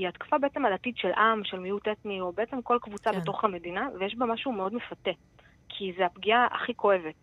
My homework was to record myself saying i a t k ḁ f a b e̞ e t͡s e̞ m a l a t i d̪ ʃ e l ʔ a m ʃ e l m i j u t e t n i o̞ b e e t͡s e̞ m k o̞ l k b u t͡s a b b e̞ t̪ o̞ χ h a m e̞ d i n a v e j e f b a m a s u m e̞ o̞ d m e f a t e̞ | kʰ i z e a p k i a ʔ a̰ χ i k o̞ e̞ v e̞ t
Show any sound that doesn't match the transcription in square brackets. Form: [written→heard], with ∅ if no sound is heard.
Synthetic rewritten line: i a t k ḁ f a b e̞ e t͡s e̞ m a l a t i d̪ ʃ e l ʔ a m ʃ e l m i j u t e t n i o̞ b e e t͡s e̞ m k o̞ l k [b→v] u t͡s a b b e̞ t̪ o̞ χ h a m e̞ d i n a v e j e [f→ʃ] b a m a [s→ʃ] u m e̞ o̞ d m e f a t e̞ | kʰ i z e a p [k→ɡ] i a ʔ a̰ χ i k o̞ e̞ v e̞ t